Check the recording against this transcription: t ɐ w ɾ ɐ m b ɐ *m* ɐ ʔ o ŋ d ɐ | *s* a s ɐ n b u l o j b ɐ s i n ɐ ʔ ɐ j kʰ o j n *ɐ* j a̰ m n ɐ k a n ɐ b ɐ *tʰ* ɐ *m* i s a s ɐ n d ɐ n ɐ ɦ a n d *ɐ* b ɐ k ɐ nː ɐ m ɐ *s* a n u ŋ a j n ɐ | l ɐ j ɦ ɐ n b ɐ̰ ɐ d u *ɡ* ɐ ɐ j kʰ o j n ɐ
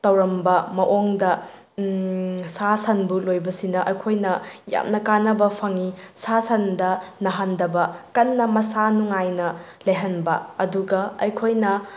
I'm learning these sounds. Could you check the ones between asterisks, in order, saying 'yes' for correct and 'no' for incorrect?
yes, yes, yes, no, no, yes, yes, yes

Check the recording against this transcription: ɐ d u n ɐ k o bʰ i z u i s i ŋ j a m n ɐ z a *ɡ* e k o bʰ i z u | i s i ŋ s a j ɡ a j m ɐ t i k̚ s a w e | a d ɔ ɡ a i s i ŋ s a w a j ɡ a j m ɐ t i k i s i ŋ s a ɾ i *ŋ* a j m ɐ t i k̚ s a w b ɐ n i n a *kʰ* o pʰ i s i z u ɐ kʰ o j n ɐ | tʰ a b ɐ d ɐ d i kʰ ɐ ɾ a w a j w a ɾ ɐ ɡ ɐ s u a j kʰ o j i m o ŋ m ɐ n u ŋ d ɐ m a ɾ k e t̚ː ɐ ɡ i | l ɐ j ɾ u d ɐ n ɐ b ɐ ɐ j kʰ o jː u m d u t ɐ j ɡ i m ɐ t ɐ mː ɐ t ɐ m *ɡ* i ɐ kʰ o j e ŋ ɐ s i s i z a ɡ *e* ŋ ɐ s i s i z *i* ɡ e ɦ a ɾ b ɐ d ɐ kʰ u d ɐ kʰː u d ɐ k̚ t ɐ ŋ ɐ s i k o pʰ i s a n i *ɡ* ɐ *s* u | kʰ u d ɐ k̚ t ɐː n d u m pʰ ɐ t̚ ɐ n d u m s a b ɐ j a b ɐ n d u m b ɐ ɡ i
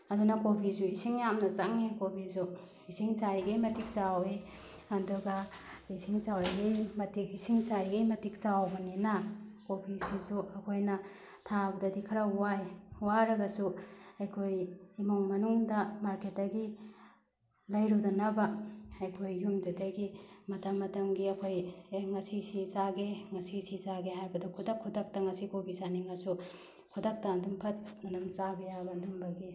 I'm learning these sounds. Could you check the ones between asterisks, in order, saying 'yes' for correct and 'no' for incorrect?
no, no, no, yes, yes, no, no, yes

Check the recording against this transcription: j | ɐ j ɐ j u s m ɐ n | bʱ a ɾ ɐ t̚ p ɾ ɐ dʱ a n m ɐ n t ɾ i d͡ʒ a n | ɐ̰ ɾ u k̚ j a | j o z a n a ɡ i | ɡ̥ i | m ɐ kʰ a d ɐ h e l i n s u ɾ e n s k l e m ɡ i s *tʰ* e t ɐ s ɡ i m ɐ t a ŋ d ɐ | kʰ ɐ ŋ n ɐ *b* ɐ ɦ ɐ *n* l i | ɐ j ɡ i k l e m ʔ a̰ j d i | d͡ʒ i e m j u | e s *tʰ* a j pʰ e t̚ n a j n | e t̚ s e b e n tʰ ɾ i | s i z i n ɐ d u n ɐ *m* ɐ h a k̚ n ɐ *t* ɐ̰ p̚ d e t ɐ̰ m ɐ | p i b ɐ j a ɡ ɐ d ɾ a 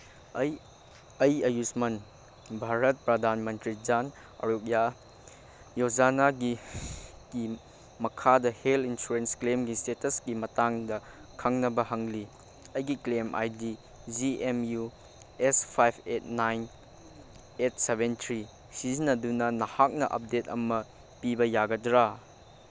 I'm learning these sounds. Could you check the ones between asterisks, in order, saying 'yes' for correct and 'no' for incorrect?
no, yes, no, no, no, no

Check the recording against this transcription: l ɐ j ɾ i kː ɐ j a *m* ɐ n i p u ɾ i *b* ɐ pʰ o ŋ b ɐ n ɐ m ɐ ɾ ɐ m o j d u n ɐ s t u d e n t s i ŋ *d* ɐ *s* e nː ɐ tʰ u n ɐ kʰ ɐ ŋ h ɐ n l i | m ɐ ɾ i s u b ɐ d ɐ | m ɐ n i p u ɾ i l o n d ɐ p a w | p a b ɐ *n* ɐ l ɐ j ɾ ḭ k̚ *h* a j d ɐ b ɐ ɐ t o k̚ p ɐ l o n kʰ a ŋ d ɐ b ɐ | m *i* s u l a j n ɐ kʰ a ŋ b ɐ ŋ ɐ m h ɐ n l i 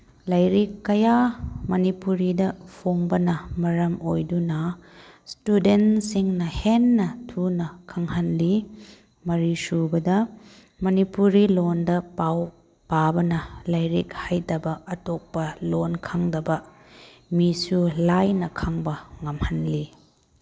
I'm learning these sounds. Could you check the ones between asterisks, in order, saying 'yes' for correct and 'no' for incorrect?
yes, no, no, no, yes, yes, yes

